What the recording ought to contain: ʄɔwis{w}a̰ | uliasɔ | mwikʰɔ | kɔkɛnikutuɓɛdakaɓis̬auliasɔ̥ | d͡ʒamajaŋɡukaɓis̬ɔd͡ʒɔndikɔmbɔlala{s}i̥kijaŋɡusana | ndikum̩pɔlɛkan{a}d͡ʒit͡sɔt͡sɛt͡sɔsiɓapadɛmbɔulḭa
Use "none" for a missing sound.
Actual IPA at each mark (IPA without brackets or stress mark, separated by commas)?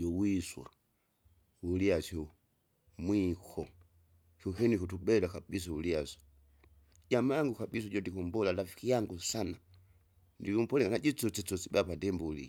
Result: w, f, a